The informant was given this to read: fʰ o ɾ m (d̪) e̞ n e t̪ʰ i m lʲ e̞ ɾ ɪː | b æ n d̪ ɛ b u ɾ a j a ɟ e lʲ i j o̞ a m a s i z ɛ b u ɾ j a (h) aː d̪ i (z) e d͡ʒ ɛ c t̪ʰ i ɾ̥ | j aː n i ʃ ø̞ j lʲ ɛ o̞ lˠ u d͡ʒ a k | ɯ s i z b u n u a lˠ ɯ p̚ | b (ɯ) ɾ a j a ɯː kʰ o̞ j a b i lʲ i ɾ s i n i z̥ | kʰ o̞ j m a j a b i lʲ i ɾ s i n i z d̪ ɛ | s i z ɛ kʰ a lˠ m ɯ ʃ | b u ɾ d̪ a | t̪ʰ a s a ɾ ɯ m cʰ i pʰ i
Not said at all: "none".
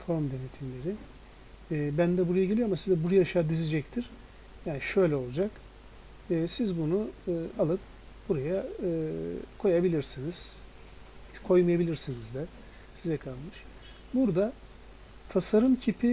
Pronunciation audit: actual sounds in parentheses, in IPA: d̪, ʃ, z, u

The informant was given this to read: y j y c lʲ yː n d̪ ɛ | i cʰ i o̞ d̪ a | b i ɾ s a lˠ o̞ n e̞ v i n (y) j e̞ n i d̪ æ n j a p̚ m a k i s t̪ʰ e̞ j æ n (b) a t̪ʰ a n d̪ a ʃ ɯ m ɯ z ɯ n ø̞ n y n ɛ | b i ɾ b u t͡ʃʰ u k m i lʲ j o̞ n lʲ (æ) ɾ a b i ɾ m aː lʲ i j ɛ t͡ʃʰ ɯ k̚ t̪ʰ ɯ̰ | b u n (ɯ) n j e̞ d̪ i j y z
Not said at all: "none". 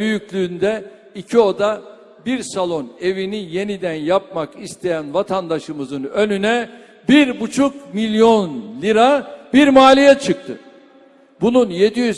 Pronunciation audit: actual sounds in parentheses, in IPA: i, v, i, u

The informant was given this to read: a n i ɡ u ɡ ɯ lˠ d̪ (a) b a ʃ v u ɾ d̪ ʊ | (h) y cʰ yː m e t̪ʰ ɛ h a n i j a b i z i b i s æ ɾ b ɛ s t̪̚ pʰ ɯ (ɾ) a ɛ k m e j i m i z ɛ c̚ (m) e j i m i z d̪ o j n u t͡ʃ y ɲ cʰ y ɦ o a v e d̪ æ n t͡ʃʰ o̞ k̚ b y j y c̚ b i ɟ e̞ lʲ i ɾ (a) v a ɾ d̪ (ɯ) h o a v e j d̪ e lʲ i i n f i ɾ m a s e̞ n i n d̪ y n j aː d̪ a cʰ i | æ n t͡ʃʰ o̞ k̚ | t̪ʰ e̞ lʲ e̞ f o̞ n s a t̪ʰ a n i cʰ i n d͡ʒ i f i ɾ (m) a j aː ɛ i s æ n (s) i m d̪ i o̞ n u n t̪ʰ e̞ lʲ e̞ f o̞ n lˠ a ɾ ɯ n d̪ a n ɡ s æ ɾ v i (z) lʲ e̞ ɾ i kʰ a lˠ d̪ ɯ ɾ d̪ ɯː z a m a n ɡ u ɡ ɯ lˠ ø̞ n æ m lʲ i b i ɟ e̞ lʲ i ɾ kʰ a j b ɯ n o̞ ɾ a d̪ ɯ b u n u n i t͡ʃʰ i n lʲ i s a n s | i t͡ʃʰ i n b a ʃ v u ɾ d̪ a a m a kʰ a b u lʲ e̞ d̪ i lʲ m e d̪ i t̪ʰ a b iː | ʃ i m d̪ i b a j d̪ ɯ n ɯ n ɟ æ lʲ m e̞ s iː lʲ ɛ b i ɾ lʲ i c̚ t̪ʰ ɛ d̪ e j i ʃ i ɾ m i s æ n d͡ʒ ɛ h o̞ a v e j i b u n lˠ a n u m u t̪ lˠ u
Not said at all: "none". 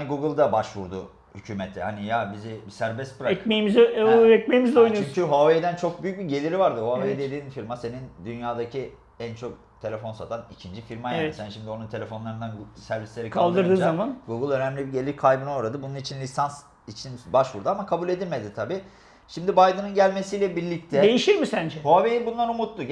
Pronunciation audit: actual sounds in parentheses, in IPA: a, h, ɾ, m, i, ɯ, m, ʃ, s

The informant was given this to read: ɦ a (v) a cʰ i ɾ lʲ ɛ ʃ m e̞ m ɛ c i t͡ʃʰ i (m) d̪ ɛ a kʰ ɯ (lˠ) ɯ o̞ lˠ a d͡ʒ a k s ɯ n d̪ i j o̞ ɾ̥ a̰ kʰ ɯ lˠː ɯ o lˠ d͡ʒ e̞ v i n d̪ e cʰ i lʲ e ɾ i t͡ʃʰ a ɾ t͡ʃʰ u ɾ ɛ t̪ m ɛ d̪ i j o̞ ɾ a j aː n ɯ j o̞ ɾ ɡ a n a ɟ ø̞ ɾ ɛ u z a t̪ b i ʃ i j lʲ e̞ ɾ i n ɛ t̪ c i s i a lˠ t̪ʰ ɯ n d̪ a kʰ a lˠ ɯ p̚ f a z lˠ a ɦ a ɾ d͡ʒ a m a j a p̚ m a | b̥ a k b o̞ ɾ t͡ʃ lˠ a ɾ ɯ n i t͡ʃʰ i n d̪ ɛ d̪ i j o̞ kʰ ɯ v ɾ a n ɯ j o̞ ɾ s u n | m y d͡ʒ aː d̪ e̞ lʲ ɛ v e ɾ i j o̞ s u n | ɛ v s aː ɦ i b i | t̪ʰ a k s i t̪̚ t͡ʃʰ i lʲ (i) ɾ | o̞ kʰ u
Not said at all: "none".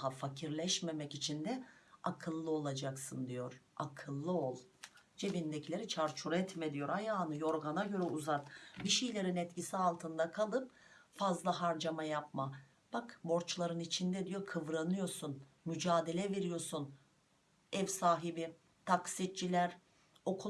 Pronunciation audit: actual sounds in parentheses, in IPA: f, n, lˠː, æ

